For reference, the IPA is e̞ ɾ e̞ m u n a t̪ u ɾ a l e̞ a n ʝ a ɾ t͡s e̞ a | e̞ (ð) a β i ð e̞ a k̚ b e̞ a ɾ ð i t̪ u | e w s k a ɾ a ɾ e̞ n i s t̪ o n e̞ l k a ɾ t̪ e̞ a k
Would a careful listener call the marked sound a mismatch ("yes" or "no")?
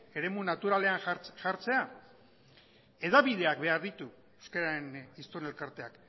no